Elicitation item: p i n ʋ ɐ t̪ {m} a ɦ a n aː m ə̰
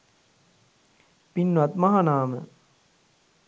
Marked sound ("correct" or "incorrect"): correct